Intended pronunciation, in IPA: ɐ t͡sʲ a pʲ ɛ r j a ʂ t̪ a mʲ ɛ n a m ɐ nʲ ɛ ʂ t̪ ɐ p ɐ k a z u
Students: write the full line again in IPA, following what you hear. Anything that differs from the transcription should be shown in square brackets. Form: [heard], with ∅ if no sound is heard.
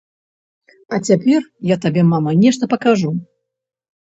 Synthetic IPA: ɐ t͡sʲ a pʲ ɛ r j a [∅] t̪ a [bʲ] ɛ [m] a m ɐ nʲ ɛ ʂ t̪ ɐ p ɐ k a [ʐ] u